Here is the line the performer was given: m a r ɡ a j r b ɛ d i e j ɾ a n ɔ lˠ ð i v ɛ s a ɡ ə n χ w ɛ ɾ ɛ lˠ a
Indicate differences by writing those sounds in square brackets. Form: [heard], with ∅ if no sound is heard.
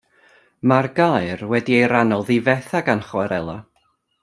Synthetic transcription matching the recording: m a r ɡ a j r [w] ɛ d i e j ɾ a n ɔ lˠ ð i v ɛ [θ] a ɡ [a] n χ w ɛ ɾ ɛ lˠ a